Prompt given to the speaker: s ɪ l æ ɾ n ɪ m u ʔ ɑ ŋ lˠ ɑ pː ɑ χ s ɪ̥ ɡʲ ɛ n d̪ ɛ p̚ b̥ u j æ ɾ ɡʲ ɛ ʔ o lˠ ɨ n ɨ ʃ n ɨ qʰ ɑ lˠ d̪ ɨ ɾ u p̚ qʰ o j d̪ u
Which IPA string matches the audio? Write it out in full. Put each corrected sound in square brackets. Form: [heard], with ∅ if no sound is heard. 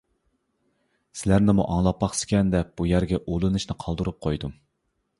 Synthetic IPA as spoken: s ɪ l æ ɾ n ɪ m u ʔ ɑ ŋ lˠ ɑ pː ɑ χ s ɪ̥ [kʲ] ɛ n d̪ ɛ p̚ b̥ u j æ ɾ ɡʲ ɛ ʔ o lˠ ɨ n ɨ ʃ n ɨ qʰ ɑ lˠ d̪ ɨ ɾ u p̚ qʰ o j d̪ u